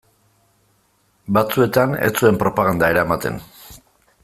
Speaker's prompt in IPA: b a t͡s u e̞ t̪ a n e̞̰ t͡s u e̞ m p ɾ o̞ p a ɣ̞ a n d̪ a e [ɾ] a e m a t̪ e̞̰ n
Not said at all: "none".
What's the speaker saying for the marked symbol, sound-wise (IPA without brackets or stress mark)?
ɾ